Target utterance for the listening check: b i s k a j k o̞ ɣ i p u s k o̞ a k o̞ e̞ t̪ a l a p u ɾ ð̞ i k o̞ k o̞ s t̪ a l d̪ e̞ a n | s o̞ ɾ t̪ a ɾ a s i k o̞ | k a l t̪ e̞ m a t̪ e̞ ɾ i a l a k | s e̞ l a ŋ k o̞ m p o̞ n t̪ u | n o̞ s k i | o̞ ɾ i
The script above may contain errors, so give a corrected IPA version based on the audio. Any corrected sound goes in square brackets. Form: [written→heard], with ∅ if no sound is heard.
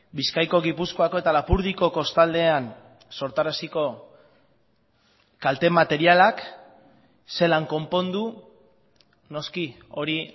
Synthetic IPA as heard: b i s k a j k o̞ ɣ i p u s k o̞ a k o̞ e̞ t̪ a l a p u ɾ ð̞ i k o̞ k o̞ s t̪ a l d̪ e̞ a n | s o̞ ɾ t̪ a ɾ a s i k o̞ | k a l t̪ e̞ m a t̪ e̞ ɾ i a l a k | s e̞ l a ŋ k o̞ m p o̞ n [t̪→d̪] u | n o̞ s k i | o̞ ɾ i